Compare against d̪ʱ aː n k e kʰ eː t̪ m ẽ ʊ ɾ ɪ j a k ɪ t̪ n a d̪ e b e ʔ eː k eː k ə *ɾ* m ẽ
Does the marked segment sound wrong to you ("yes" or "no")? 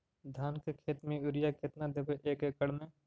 yes